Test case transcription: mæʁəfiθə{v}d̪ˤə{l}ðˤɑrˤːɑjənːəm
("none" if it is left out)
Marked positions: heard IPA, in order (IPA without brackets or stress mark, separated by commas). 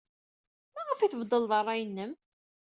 v, l